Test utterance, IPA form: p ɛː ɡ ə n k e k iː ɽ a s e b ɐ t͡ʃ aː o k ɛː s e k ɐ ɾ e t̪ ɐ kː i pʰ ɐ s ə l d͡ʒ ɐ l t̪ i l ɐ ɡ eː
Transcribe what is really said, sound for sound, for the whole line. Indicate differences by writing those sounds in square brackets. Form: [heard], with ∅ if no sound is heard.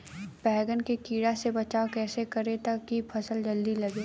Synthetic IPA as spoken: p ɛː ɡ ə n k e k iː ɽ a s e b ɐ t͡ʃ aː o k ɛː s e k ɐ ɾ e t̪ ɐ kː i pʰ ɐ s ə l d͡ʒ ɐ l [d̪] i l ɐ ɡ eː